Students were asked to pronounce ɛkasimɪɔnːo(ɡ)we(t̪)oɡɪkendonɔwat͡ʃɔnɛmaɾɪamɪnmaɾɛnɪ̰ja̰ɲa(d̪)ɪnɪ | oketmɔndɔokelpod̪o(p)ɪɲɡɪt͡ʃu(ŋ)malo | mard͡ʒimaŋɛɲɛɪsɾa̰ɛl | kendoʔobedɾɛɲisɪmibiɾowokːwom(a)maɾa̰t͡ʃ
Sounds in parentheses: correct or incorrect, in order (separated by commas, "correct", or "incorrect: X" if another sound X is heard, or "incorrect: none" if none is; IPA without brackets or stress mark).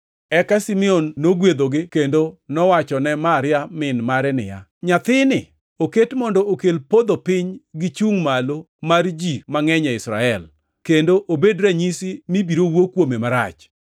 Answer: correct, incorrect: d̪, incorrect: t̪, correct, correct, incorrect: e